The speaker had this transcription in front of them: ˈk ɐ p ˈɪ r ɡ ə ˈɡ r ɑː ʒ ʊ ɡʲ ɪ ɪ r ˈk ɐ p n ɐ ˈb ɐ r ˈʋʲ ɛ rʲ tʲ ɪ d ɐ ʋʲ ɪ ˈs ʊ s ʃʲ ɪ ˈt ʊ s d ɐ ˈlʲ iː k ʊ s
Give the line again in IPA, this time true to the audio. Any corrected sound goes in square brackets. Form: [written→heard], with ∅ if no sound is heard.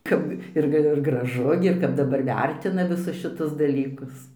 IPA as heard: ˈk ɐ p ˈɪ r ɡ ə ˈɡ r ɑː ʒ ʊ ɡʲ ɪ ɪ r ˈk ɐ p [n→d] ɐ ˈb ɐ r ˈʋʲ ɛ rʲ tʲ ɪ [d→n] ɐ ʋʲ ɪ ˈs ʊ s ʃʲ ɪ ˈt ʊ s d ɐ ˈlʲ iː k ʊ s